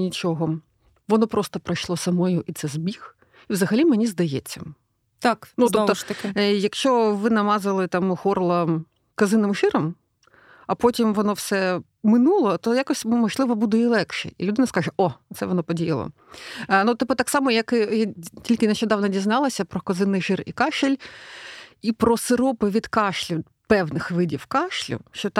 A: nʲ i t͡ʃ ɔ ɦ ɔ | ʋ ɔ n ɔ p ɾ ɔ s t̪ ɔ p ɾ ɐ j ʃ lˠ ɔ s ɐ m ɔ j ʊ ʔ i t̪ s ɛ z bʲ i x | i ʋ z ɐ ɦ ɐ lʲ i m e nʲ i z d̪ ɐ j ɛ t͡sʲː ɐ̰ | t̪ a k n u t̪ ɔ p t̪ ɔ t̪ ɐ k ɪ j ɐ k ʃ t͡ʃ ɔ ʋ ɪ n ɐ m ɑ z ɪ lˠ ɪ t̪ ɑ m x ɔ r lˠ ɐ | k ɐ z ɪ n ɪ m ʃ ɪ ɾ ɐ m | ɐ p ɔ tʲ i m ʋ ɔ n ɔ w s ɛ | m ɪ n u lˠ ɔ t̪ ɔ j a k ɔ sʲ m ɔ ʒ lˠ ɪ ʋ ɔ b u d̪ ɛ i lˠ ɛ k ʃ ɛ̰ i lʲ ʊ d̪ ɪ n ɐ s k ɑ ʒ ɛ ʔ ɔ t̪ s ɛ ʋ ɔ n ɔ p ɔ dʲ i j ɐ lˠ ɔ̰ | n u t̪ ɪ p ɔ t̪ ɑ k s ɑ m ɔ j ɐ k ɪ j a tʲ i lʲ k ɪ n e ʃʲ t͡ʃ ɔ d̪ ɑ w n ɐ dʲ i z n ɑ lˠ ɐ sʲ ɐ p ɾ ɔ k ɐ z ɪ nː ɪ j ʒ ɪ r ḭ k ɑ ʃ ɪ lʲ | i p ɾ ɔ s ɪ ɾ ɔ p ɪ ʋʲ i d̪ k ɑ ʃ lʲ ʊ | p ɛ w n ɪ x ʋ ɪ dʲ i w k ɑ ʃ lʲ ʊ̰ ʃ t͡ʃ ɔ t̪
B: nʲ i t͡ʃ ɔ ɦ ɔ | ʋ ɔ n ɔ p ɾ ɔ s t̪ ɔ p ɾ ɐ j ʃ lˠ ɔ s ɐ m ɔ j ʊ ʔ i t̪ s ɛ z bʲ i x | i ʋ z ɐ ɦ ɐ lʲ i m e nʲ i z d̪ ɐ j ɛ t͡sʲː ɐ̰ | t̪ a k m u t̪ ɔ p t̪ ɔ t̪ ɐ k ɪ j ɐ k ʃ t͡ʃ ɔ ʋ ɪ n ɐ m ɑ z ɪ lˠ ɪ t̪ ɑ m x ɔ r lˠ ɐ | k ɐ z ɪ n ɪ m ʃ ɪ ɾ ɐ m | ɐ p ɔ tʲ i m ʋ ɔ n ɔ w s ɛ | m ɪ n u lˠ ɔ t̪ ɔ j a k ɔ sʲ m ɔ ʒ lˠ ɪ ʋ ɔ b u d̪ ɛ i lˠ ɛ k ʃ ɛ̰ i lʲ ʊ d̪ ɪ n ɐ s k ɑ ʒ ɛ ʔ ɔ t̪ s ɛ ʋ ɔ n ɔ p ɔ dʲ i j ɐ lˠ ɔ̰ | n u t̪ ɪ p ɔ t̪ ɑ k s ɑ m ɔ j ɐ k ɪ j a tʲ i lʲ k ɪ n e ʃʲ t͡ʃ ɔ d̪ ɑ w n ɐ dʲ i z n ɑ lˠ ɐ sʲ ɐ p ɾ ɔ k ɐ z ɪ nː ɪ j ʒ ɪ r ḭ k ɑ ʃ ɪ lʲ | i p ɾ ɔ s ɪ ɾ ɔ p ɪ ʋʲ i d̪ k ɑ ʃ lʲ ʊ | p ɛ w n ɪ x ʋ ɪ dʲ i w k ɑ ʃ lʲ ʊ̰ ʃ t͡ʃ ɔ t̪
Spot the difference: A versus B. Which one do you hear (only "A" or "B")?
A